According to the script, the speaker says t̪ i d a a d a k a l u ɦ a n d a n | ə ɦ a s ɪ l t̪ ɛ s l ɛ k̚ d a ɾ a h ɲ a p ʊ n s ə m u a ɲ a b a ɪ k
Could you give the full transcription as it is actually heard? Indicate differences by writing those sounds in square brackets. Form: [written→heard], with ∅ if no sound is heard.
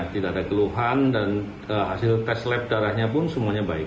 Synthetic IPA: t̪ i d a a d a k [a→ə] l u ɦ a n d a n | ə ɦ a s ɪ l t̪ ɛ s l ɛ [k̚→p̚] d a ɾ a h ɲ a p ʊ n s ə m u a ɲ a b a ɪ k

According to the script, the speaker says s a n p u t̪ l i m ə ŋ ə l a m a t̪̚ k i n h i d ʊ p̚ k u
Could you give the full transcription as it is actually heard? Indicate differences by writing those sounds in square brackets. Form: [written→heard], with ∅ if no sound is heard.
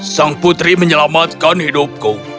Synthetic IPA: s a [n→ŋ] p u t̪ [l→ɾ] i m ə [ŋ→ɲ] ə l a m a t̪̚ k [i→a] n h i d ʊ p̚ k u

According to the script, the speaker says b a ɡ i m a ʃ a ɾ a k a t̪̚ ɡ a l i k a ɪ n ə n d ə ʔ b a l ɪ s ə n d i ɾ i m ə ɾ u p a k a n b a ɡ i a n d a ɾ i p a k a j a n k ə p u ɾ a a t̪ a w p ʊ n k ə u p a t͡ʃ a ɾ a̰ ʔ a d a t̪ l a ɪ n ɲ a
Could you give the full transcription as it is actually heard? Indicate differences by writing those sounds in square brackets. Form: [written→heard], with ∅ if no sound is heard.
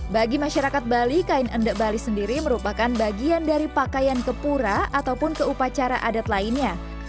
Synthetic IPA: b a ɡ i m a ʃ a ɾ a k a t̪̚ [ɡ→b] a l i k a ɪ n ə n d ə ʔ b a l [ɪ→i] s ə n d i ɾ i m ə ɾ u p a k a n b a ɡ i a n d a ɾ i p a k a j a n k ə p u ɾ a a t̪ a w p ʊ n k ə u p a t͡ʃ a ɾ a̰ ʔ a d a t̪ l a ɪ n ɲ a

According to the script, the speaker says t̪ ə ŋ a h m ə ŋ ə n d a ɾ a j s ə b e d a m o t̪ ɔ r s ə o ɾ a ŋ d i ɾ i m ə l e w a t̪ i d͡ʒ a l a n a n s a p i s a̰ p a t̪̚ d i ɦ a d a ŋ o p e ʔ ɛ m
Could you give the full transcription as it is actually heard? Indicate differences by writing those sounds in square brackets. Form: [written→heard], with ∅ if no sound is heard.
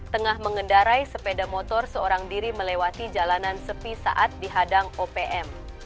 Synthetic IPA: t̪ ə ŋ a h m ə ŋ ə n d a ɾ a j s ə [b→p] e d a m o t̪ ɔ r s ə o ɾ a ŋ d i ɾ i m ə l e w a t̪ i d͡ʒ a l a n a n s [a→ə] p i s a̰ [p→ʔ] a t̪̚ d i ɦ a d a ŋ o p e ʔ ɛ m

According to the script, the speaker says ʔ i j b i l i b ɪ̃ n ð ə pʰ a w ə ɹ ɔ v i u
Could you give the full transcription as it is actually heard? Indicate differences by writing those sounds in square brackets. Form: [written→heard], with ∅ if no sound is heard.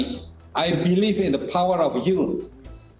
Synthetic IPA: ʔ [i→a] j b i l i [b→v] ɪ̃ n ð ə pʰ a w ə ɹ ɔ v [i→j] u

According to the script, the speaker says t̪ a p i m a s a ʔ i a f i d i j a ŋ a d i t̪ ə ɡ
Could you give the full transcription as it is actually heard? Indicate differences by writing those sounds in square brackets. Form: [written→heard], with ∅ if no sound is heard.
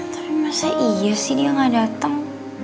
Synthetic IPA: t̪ a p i m a s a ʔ i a [f→s] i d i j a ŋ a d [i→a] t̪ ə [ɡ→ŋ]

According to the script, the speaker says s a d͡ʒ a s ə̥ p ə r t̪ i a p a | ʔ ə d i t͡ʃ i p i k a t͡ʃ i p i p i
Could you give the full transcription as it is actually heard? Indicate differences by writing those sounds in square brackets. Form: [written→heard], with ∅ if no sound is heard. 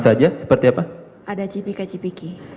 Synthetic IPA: s a d͡ʒ a s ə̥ p ə r t̪ i a p a | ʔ [ə→a] d [i→a] t͡ʃ i p i k a t͡ʃ i p i [p→k] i

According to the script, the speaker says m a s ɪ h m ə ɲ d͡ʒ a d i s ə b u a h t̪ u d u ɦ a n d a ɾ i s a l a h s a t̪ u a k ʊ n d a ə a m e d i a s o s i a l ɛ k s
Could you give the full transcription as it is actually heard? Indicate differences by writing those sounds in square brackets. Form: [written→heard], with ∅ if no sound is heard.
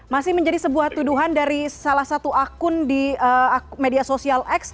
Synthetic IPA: m a s ɪ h m ə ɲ d͡ʒ a d i s ə b u a h t̪ u d u ɦ a n d a ɾ i s a l a h s a t̪ u a k ʊ n d [a→i] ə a m e d i a s o s i a l ɛ k s

